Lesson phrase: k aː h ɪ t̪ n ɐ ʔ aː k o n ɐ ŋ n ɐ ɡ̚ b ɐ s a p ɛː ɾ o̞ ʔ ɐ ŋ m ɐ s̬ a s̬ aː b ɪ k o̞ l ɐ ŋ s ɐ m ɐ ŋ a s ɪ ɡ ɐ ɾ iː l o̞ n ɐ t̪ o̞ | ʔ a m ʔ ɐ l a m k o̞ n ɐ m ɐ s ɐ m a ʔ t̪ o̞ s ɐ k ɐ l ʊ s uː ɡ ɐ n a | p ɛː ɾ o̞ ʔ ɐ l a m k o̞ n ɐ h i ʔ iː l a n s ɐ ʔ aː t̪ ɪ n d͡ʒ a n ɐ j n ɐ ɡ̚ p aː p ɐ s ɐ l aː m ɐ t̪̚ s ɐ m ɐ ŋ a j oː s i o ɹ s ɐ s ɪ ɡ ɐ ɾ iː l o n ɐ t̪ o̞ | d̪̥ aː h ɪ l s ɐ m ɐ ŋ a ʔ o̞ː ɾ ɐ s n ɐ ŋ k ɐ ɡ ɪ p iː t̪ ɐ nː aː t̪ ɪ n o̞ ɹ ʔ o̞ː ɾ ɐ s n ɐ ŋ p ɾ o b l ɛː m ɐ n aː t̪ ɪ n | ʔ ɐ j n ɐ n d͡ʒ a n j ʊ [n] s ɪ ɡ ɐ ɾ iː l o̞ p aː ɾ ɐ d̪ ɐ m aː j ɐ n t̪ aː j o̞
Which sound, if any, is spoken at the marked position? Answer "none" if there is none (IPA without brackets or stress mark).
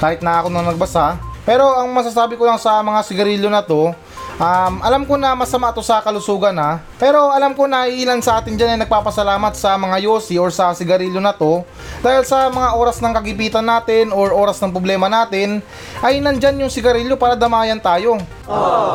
ŋ